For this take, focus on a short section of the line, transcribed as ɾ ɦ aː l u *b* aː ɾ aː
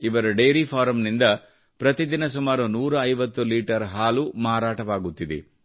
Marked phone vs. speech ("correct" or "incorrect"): incorrect